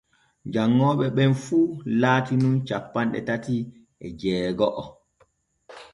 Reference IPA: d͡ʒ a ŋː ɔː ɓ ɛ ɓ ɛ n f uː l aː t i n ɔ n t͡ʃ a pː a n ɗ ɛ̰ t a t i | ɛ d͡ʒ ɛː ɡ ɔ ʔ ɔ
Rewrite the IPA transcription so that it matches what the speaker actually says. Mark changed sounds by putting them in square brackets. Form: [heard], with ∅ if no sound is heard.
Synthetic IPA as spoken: d͡ʒ a ŋː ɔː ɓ ɛ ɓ ɛ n f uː l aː t i n [u] n t͡ʃ a pː a n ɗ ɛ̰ t a t i | ɛ d͡ʒ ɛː ɡ ɔ ʔ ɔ

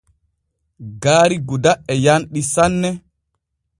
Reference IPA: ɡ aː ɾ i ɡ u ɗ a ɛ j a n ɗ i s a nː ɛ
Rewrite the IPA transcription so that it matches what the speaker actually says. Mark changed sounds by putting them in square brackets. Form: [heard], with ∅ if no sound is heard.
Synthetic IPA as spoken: ɡ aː ɾ i ɡ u [d] a ɛ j a n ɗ i s a nː ɛ

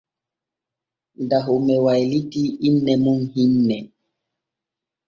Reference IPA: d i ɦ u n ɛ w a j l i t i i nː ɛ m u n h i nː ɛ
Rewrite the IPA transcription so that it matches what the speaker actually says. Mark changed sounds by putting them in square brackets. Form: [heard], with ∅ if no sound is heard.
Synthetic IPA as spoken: d [a] ɦ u [m] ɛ w a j l i t i i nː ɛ m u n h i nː ɛ

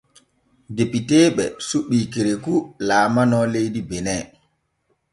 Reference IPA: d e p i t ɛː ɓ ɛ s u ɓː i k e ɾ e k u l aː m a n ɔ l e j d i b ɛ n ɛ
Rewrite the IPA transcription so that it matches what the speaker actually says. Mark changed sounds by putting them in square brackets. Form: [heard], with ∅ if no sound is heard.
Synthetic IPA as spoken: d e p i t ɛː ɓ ɛ s u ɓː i k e ɾ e k u l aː m a n ɔ l e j d i b ɛ n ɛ

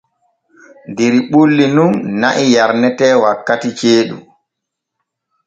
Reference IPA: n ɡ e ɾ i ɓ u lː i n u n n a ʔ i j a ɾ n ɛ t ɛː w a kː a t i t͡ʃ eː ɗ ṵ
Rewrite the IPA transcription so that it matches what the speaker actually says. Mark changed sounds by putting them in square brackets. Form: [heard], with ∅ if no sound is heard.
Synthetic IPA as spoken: n [d] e ɾ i ɓ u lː i n u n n a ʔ i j a ɾ n ɛ t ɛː w a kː a t i t͡ʃ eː ɗ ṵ

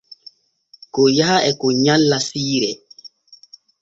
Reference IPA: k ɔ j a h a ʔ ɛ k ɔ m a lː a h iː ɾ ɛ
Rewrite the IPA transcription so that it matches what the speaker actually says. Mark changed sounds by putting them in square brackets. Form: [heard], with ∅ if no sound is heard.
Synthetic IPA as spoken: k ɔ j a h a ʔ ɛ k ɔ [ɲ] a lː a [s] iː ɾ ɛ

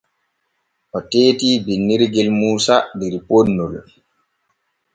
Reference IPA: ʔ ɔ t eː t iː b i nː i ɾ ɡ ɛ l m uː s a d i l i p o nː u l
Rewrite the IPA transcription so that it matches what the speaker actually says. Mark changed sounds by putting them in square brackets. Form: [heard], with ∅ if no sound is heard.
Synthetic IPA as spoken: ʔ ɔ t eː t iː b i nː i ɾ ɡ ɛ l m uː s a d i [ɾ] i p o nː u l

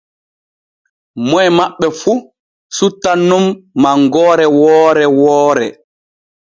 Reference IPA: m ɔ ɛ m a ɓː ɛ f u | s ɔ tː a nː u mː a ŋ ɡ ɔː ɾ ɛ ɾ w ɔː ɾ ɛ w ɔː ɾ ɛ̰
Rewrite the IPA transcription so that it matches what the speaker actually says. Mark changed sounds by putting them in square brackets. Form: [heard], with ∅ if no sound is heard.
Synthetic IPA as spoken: m ɔ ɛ m a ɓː ɛ f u | s [u] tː a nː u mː a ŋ ɡ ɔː ɾ ɛ [∅] w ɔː ɾ ɛ w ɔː ɾ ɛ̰

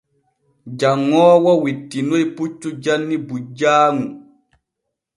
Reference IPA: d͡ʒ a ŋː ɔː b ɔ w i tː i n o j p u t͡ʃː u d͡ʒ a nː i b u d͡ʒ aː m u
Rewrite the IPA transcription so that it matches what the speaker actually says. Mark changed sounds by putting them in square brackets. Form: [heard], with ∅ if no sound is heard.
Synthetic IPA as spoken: d͡ʒ a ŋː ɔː [w] ɔ w i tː i n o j p u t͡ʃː u d͡ʒ a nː i b u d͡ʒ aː [ŋ] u

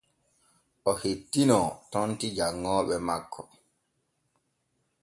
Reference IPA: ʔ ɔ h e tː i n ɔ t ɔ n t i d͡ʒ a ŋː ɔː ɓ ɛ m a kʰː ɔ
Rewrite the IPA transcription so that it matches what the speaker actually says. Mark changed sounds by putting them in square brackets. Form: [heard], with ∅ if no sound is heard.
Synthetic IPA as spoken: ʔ ɔ h e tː i n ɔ t ɔ n t i d͡ʒ a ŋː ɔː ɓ ɛ m a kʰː ɔ

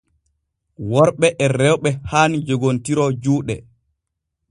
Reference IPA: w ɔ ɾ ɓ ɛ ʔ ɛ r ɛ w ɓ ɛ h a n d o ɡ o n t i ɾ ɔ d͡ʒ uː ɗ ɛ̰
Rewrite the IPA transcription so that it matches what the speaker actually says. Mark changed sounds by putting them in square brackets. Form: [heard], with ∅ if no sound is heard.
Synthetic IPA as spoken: w ɔ ɾ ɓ ɛ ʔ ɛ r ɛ w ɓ ɛ h a n [d͡ʒ] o ɡ o n t i ɾ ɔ d͡ʒ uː ɗ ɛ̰

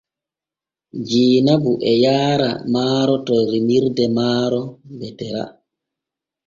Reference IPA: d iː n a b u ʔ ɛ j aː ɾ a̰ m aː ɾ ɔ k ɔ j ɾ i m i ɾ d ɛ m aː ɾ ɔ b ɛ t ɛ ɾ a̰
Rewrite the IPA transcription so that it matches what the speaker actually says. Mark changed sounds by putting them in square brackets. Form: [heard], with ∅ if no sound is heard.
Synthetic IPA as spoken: [d͡ʒ] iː n a b u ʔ ɛ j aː ɾ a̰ m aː ɾ ɔ [t] ɔ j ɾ i m i ɾ d ɛ m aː ɾ ɔ b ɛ t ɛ ɾ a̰

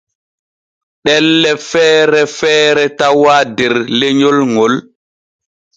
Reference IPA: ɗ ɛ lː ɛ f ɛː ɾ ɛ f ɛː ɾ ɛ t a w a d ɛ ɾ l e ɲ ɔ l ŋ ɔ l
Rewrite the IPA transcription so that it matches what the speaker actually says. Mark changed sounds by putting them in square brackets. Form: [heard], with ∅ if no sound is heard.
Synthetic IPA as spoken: ɗ ɛ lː ɛ f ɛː ɾ ɛ f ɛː ɾ ɛ t a w a d ɛ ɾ l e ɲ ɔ l ŋ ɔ l

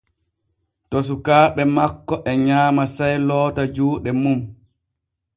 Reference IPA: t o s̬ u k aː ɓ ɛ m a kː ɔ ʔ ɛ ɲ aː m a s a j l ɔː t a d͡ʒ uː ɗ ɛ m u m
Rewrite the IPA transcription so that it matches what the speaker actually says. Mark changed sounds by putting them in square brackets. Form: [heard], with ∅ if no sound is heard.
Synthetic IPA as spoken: t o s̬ u k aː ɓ ɛ m a kː ɔ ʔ ɛ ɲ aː m a s a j l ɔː t a d͡ʒ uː ɗ ɛ m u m

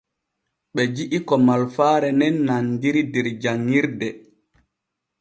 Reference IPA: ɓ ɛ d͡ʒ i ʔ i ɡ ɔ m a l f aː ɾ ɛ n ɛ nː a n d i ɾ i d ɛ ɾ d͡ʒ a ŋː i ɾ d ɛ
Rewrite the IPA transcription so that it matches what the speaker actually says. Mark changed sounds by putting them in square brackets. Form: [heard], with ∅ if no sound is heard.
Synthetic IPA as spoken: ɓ ɛ d͡ʒ i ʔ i [k] ɔ m a l f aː ɾ ɛ n ɛ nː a n d i ɾ i d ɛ ɾ d͡ʒ a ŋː i ɾ d ɛ

